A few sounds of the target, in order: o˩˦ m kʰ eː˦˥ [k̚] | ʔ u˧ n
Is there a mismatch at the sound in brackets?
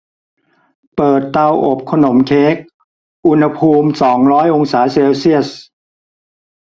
no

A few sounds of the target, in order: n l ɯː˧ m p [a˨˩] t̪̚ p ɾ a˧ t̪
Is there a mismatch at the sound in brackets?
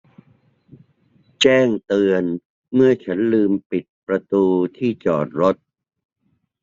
yes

